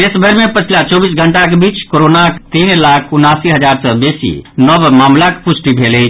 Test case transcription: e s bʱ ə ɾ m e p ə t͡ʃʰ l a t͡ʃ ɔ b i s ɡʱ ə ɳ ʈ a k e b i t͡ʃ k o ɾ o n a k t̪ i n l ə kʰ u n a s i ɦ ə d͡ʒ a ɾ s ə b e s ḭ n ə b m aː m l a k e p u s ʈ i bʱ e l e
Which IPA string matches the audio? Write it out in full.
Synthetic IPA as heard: e s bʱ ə ɾ m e p ə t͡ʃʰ l a t͡ʃ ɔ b i s ɡʱ ə ɳ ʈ a k e b i t͡ʃ k o ɾ o n a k t̪ i n l a kʰ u n a s i ɦ ə d͡ʒ a ɾ s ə b e s ḭ n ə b m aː m l a k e p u s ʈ i bʱ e l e